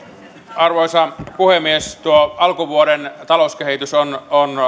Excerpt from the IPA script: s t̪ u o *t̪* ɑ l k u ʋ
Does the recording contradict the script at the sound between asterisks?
yes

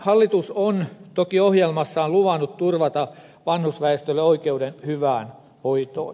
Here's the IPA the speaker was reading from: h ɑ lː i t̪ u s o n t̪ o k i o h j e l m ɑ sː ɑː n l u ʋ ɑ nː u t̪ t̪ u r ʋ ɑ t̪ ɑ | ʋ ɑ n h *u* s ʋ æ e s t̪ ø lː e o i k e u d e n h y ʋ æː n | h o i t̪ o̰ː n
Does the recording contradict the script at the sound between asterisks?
no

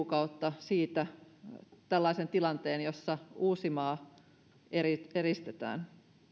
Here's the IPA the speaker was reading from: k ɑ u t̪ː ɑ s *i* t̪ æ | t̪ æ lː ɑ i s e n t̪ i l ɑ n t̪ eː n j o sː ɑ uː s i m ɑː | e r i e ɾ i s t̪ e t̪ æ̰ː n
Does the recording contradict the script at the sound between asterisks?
yes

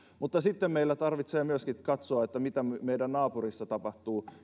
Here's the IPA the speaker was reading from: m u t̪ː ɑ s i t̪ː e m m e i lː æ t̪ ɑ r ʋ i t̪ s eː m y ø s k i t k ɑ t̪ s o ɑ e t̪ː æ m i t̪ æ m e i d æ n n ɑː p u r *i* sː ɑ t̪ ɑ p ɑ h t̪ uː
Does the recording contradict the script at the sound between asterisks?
no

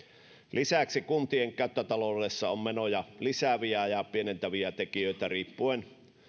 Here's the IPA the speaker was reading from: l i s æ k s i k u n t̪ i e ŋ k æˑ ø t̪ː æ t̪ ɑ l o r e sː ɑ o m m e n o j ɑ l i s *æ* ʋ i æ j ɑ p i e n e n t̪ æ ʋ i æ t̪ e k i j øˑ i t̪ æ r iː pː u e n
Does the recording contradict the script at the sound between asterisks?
no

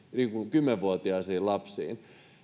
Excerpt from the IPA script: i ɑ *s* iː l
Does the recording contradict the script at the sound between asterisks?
no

